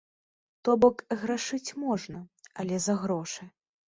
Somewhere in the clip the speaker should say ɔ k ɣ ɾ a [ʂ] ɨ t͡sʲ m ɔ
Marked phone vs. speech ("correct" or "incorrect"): correct